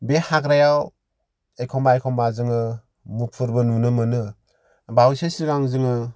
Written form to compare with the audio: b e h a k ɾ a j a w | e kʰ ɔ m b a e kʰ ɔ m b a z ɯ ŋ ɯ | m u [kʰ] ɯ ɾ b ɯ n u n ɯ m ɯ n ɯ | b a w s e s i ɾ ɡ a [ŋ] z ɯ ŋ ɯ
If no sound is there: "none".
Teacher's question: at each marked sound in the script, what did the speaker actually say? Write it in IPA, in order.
pʰ, ŋ

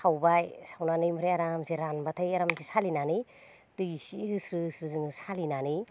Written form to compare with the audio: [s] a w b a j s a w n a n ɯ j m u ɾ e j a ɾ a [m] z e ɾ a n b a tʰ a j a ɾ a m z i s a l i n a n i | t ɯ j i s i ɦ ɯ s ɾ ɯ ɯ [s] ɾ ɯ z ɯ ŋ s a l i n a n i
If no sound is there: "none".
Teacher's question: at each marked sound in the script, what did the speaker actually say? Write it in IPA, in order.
s, m, s

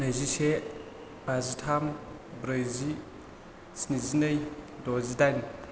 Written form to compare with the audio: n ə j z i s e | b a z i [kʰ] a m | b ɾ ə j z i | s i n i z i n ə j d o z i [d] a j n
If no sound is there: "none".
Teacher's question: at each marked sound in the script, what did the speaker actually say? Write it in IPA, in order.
tʰ, d

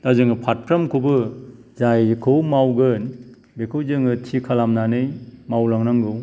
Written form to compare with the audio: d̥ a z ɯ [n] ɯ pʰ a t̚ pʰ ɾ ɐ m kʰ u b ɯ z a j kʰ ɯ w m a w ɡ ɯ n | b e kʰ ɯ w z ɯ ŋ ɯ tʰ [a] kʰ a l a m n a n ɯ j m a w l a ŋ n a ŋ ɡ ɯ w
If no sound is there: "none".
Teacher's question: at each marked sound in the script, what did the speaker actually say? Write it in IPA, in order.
ŋ, i

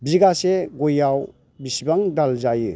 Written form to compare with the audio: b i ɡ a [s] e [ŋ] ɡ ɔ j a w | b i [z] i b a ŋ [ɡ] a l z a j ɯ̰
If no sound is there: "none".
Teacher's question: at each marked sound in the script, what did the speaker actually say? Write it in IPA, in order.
s, none, s, d

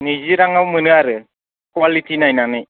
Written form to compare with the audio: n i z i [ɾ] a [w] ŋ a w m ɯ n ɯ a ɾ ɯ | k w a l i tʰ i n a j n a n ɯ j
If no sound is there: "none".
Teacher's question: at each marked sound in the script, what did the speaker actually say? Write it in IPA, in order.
ɾ, none

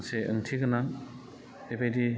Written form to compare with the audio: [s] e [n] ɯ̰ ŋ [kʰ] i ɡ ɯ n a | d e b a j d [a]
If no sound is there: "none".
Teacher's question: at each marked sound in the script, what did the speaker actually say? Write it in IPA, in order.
s, none, tʰ, i

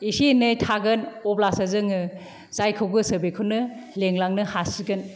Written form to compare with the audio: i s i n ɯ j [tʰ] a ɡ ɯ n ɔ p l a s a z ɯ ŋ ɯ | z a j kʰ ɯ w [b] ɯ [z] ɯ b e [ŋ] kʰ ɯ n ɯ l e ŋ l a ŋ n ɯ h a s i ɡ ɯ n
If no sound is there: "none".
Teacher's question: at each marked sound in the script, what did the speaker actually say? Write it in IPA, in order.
tʰ, ɡ, s, none

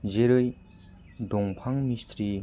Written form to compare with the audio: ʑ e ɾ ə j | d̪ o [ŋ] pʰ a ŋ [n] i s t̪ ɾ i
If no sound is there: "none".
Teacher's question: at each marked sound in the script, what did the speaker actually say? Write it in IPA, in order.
ŋ, m

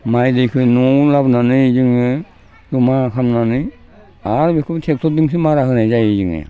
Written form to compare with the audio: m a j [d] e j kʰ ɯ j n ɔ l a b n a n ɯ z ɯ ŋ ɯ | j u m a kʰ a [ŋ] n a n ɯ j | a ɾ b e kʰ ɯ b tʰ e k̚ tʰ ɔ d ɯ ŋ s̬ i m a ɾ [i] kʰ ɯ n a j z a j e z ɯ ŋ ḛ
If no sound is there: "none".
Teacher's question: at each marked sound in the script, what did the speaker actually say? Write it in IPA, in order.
d, m, a

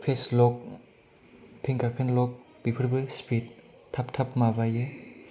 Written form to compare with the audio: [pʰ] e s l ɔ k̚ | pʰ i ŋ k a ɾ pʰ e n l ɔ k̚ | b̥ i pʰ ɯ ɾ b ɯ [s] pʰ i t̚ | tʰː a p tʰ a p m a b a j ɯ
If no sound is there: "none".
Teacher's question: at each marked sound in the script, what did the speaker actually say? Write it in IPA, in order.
pʰ, s

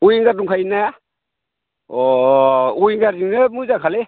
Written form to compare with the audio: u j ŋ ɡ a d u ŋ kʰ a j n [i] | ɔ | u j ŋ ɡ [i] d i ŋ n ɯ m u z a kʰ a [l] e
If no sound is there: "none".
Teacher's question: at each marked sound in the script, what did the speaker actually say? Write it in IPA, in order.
a, a, l

